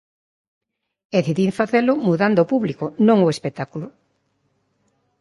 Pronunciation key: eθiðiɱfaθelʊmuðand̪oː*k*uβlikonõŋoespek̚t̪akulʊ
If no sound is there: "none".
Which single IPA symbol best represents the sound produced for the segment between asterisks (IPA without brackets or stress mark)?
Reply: p